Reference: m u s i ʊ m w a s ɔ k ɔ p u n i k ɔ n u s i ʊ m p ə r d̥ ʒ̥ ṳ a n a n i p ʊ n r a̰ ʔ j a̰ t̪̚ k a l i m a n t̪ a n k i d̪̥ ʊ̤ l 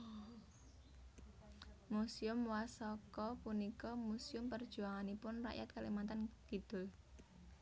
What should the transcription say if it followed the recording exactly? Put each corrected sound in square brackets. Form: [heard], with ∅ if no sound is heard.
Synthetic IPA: m u s i ʊ m w a s ɔ k ɔ p u n i k ɔ [m] u s i ʊ m p ə r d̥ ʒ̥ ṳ a [ŋ] a n i p ʊ n r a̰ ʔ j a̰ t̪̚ k a l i m a n t̪ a n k i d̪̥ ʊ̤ l